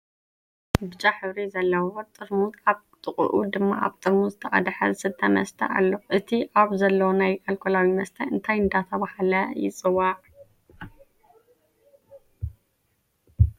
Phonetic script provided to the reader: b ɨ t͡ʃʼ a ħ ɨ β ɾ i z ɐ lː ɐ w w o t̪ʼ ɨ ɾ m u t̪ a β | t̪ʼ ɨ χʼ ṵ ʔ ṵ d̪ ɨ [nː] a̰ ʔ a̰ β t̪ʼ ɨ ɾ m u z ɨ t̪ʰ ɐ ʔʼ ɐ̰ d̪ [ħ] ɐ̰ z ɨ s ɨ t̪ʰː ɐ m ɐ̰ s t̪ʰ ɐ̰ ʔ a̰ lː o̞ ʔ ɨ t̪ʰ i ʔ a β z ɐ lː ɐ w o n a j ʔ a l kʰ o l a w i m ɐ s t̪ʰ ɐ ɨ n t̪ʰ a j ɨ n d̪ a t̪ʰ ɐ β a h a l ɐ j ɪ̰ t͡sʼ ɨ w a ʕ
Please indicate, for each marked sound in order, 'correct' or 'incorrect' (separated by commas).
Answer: incorrect, correct